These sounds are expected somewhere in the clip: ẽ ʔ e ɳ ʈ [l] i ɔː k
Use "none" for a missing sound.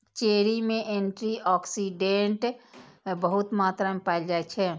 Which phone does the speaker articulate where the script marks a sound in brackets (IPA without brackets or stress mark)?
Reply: ɾ